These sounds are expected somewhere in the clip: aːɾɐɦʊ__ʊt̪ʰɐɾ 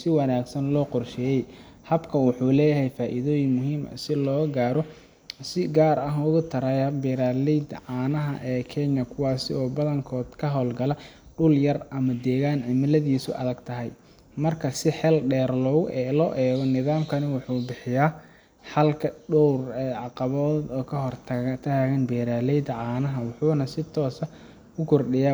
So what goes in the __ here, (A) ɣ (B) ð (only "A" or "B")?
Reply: A